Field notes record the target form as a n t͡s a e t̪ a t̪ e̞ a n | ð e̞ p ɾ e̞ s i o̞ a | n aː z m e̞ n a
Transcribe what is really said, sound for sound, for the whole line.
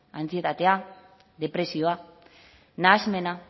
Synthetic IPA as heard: a n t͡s i e t̪ a t̪ e̞ a | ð e̞ p ɾ e̞ s i o̞ a | n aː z m e̞ n a